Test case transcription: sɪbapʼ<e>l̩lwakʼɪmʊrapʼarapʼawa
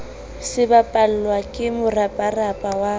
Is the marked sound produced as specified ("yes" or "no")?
no